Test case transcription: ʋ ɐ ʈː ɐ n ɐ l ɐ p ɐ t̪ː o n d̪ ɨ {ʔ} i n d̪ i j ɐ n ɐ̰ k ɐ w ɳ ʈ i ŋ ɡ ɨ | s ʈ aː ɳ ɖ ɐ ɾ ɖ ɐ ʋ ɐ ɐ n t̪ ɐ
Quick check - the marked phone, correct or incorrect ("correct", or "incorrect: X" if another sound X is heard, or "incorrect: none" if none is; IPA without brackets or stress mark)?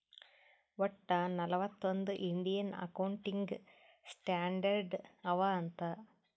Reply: correct